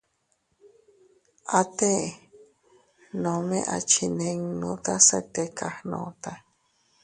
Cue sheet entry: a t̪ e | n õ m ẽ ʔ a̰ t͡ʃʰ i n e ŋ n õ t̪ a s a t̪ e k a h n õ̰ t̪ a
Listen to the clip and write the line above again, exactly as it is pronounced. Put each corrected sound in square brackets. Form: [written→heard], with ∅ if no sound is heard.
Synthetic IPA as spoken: a t̪ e | n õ m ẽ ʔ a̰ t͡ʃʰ i n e ŋ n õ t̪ a s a t̪ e k a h n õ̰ t̪ a